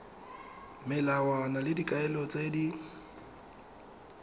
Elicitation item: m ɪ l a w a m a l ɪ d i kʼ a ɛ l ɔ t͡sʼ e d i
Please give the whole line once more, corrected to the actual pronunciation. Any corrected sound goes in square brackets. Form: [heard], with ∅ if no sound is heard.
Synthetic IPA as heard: m ɪ l a w a [n] a l ɪ d i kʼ a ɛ l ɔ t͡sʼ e d i